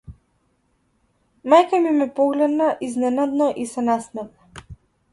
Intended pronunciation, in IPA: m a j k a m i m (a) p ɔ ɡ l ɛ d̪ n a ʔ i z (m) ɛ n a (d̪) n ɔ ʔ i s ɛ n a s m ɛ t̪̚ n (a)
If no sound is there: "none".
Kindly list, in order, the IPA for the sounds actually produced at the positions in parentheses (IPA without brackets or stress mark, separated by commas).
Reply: ɛ, n, d̪, a